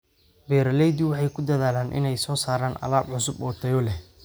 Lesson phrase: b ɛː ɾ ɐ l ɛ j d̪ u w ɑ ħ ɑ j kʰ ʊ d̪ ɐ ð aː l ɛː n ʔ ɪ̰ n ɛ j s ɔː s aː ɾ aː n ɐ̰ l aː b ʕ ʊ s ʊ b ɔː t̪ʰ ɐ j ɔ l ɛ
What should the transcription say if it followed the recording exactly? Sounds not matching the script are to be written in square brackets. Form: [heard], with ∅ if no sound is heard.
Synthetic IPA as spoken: b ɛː ɾ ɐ l ɛ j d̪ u w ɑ ħ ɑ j kʰ ʊ d̪ ɐ ð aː l [aː] n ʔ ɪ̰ n ɛ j s ɔː s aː ɾ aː n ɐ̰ l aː b ʕ ʊ s ʊ b ɔː t̪ʰ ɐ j ɔ l ɛ